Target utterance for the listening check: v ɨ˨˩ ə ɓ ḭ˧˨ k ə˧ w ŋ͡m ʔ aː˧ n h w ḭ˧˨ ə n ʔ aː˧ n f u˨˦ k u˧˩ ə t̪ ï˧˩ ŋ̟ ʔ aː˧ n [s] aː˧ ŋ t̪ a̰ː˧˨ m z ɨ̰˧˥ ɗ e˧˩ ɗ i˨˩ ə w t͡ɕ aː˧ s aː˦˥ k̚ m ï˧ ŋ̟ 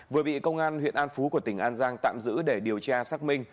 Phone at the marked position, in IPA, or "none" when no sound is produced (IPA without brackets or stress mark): z